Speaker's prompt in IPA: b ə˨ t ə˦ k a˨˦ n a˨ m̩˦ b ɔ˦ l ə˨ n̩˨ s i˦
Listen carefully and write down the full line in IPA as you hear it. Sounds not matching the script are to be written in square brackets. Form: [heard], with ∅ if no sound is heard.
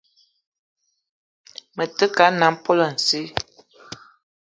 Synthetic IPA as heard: [m] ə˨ t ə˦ k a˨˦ n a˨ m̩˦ [p] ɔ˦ l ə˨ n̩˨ s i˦